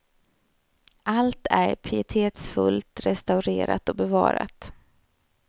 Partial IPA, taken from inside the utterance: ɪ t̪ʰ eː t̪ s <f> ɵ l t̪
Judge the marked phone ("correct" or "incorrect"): correct